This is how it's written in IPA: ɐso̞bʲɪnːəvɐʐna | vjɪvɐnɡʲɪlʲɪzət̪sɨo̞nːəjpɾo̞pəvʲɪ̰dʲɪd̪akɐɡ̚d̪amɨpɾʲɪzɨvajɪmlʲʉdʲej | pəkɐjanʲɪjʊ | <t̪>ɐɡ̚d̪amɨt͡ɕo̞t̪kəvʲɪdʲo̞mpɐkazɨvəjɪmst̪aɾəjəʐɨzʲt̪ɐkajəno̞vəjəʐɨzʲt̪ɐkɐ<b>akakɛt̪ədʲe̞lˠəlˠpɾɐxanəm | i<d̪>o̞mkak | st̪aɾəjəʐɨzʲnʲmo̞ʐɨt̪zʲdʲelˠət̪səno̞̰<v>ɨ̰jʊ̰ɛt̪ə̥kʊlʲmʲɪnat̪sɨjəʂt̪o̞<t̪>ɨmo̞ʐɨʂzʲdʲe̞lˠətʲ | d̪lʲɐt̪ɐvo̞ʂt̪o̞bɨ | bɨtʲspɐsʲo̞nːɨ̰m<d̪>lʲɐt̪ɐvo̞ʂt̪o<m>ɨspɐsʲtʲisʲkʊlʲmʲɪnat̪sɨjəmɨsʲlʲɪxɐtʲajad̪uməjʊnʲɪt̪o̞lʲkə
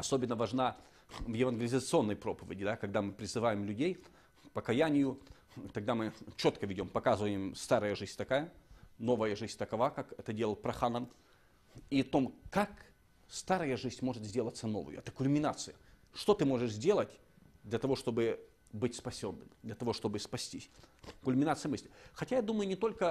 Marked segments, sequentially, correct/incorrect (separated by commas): correct, incorrect, incorrect, correct, correct, correct, incorrect